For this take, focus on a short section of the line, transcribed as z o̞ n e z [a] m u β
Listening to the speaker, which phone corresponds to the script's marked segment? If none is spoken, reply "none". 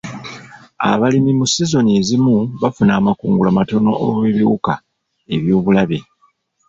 i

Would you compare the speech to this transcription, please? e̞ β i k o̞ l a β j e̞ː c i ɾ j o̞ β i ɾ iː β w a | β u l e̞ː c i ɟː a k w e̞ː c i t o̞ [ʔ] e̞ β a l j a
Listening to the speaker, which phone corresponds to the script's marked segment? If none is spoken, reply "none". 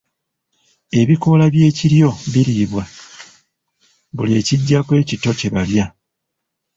c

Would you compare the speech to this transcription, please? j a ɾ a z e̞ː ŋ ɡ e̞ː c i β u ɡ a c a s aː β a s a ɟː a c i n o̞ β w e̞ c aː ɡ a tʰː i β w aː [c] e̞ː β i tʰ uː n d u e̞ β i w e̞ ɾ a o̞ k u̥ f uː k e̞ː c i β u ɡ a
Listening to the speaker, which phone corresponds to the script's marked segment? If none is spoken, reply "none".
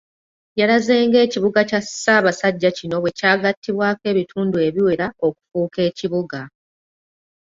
k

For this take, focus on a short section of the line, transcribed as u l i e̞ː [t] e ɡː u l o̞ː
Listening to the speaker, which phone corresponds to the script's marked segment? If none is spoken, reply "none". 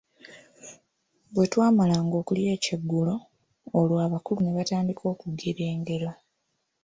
c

